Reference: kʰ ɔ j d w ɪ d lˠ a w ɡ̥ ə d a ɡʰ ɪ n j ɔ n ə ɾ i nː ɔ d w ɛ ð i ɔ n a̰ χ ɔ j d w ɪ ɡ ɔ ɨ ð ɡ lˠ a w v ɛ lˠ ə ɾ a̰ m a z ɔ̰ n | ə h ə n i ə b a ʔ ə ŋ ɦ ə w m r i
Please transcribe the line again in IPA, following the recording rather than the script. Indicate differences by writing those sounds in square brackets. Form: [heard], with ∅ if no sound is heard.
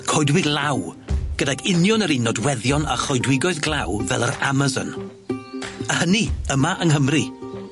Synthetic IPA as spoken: kʰ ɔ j d w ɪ [ɡ] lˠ a w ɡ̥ ə d a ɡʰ ɪ n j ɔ n ə ɾ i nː ɔ d w ɛ ð [j] ɔ n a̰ χ ɔ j d w ɪ ɡ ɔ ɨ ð ɡ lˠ a w v ɛ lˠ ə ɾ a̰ m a z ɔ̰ n | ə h ə n i ə [m] a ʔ ə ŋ ɦ ə [∅] m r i